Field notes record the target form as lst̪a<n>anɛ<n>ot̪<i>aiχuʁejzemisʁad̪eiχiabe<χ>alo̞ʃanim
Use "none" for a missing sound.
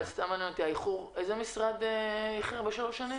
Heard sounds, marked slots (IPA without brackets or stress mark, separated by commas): m, n, i, ʃ